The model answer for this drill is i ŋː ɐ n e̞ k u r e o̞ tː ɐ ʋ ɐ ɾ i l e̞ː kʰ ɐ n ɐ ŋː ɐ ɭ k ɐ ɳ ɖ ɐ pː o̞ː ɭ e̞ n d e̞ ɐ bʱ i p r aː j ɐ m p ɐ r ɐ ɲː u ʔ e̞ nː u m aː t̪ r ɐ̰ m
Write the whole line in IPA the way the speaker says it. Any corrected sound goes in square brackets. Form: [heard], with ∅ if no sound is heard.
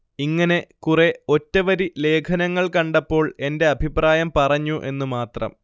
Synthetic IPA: i ŋː ɐ n e̞ k u r e o̞ tː ɐ ʋ ɐ ɾ i l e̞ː kʰ ɐ n ɐ ŋː ɐ ɭ k ɐ ɳ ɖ ɐ pː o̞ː ɭ e̞ n d e̞ ɐ bʱ i p r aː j ɐ m p ɐ r ɐ ɲː u ʔ e̞ nː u m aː t̪ r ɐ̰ m